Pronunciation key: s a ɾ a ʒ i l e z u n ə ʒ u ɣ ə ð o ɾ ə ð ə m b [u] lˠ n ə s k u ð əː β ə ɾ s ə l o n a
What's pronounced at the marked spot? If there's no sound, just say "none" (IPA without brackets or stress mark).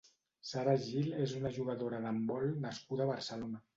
ɔ